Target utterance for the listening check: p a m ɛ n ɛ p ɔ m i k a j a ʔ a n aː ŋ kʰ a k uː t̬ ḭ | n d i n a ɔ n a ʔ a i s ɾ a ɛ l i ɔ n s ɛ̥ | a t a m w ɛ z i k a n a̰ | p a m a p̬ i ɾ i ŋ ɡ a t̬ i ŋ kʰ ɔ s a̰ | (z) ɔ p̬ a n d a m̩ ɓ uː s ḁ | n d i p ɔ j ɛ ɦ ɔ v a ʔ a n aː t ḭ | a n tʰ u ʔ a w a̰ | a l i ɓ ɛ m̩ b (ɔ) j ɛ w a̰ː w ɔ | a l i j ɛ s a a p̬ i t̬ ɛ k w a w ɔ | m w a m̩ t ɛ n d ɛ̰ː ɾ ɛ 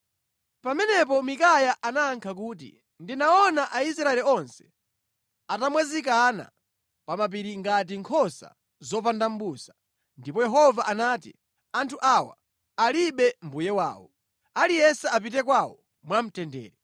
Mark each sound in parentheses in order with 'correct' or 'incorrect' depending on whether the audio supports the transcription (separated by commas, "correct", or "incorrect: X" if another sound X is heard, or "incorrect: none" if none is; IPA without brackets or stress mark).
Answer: correct, incorrect: u